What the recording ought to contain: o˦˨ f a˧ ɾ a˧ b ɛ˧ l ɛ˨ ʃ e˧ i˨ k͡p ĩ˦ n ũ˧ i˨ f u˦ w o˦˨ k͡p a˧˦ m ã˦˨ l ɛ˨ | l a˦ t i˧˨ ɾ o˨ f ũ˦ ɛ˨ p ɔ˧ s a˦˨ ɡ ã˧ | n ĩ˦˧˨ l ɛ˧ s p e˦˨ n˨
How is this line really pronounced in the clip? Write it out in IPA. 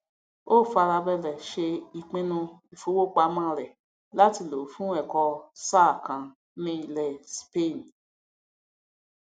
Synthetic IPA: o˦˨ f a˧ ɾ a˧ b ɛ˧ l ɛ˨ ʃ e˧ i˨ k͡p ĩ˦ n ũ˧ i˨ f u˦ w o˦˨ k͡p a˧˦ m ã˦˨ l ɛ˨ | l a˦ t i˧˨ l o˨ f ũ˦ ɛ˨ k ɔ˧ s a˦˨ k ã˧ | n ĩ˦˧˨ l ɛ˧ s p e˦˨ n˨